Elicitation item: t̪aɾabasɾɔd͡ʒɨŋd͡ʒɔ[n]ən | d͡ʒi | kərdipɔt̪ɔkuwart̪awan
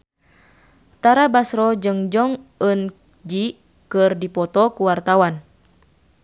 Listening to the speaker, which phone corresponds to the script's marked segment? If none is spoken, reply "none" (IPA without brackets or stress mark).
ŋ